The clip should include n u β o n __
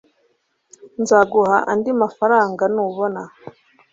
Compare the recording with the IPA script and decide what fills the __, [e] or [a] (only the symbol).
a